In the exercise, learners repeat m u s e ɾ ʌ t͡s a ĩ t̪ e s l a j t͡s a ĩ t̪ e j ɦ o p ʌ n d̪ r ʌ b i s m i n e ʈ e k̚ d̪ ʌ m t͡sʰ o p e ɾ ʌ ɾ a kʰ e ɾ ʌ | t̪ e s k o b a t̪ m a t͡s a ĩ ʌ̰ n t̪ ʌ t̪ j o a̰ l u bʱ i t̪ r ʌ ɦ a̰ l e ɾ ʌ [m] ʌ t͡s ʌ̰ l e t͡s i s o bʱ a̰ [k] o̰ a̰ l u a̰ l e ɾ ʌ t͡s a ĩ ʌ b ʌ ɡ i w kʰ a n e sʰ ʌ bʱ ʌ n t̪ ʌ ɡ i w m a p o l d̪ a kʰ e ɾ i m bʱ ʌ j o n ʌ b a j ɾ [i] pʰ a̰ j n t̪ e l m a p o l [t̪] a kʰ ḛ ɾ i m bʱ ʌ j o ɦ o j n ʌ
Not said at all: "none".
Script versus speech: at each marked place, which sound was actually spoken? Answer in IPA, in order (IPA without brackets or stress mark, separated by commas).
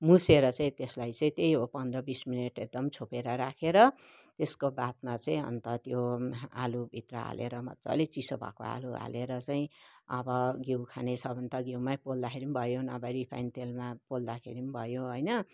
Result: m, k, i, d̪